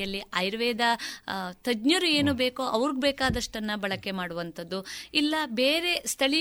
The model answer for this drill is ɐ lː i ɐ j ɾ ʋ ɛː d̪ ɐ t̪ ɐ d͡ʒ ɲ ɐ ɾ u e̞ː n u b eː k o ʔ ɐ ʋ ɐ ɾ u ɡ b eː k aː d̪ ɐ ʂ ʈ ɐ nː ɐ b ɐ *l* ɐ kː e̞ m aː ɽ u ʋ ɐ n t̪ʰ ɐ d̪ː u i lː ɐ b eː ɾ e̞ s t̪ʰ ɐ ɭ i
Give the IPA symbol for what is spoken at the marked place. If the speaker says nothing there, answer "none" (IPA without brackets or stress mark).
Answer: ɭ